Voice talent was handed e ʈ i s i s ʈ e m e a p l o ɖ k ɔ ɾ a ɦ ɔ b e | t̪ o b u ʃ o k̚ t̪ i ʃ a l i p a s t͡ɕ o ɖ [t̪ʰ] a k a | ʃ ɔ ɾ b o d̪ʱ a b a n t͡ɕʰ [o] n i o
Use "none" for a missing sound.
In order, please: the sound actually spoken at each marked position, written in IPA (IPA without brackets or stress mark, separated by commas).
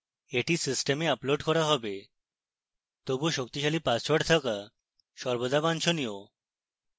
t̪ʰ, o